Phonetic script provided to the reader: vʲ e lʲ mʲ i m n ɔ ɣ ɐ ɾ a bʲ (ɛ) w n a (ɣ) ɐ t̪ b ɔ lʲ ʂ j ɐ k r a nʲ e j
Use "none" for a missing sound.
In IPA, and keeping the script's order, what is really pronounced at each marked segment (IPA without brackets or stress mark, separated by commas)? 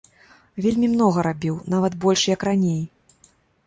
i, v